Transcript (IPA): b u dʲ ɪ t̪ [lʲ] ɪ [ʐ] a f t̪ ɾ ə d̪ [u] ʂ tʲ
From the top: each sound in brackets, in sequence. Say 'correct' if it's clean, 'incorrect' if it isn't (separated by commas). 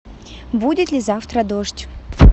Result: correct, incorrect, incorrect